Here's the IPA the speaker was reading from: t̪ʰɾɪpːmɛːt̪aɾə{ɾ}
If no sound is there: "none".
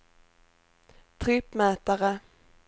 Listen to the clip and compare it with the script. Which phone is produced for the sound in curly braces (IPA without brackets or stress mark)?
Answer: none